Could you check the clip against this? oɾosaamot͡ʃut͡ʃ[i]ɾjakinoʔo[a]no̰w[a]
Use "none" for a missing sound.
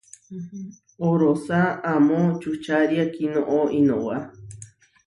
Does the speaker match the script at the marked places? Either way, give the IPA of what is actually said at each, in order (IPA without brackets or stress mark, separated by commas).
a, i, a